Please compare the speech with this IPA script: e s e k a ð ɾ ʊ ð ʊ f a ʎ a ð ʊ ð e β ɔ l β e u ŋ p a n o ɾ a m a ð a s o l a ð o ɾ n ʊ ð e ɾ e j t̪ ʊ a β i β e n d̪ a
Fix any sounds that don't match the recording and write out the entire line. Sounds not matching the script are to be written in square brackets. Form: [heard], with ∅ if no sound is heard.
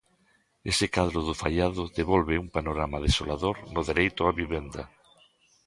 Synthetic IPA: e s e k a ð ɾ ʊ ð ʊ f a ʎ a ð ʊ ð e β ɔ l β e u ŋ p a n o ɾ a m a ð [e] s o l a ð o ɾ n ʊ ð e ɾ e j t̪ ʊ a β i β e n d̪ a